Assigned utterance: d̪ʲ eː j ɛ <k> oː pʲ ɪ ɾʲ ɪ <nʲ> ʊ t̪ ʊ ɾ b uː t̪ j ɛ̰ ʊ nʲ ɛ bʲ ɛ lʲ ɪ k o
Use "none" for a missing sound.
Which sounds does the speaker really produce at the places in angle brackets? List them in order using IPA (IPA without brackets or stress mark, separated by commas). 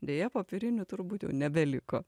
p, nʲ